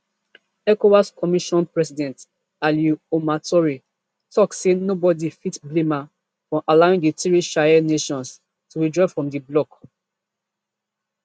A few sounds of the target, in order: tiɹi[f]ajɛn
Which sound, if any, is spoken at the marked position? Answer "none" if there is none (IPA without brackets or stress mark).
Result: ʃ